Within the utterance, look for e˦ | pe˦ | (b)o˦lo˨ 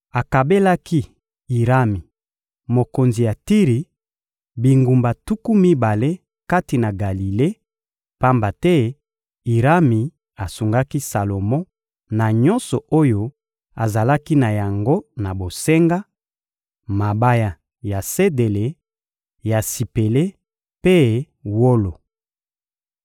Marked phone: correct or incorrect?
incorrect